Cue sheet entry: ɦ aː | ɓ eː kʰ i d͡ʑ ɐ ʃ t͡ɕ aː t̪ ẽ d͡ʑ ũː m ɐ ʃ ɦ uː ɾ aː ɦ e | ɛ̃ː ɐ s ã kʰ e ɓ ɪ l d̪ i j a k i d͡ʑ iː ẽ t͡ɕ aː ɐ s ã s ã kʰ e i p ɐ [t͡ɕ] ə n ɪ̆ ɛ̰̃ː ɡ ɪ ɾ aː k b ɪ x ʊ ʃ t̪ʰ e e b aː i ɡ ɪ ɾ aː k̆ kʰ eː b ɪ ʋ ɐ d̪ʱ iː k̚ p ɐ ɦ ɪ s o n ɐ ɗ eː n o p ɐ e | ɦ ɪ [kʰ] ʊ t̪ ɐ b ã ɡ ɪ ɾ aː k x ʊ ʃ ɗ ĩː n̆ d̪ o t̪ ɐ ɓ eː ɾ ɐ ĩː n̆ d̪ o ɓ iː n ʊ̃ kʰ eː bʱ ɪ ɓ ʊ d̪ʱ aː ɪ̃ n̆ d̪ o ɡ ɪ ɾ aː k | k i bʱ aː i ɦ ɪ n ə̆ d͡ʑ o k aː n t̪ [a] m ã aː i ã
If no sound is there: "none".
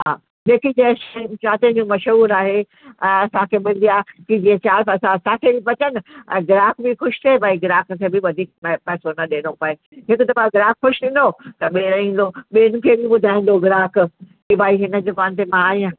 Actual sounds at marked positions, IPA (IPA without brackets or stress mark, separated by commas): t͡ɕ, k, e